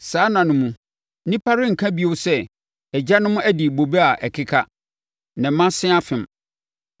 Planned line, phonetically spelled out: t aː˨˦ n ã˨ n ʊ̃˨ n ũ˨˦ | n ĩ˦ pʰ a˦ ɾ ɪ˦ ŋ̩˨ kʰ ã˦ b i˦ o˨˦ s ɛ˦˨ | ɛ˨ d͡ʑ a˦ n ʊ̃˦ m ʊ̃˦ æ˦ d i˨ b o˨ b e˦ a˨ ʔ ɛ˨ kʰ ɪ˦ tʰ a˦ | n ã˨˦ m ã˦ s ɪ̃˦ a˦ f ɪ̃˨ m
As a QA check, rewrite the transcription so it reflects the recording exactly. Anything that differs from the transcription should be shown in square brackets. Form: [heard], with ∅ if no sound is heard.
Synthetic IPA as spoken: [s] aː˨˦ n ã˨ n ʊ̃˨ [m] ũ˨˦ | n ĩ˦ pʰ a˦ ɾ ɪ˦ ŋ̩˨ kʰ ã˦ b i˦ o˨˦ s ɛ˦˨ | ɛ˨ d͡ʑ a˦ n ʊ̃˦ m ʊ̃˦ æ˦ d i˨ b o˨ b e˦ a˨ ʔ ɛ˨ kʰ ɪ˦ [kʰ] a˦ | n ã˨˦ m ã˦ s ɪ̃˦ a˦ f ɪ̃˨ m